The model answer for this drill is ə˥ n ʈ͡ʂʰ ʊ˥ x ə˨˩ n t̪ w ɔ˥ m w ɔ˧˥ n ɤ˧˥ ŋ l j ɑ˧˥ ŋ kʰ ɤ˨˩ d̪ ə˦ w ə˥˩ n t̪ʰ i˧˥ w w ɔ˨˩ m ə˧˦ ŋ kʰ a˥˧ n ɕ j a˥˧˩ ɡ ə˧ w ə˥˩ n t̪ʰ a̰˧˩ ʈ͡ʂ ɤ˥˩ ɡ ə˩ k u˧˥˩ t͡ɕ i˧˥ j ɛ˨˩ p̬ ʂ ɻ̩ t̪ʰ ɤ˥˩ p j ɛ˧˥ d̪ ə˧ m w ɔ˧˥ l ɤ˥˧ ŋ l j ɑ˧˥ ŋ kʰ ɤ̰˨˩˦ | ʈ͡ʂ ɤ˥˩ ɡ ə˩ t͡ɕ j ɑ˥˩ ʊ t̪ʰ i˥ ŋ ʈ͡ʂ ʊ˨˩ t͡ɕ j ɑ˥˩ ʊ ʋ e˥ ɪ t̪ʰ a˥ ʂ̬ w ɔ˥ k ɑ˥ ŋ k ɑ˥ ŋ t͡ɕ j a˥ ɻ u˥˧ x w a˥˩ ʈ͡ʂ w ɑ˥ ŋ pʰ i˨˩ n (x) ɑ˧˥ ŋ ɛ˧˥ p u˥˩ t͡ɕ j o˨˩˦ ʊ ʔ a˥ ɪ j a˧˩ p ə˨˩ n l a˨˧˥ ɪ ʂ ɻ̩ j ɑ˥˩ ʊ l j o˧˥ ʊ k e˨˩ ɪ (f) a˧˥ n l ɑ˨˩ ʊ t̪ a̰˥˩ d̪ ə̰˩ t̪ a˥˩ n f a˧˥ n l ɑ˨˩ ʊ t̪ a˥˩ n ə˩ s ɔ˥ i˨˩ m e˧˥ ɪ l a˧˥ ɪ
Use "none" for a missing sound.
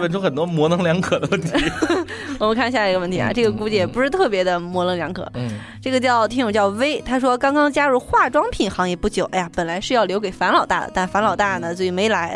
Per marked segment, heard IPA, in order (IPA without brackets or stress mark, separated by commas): x, f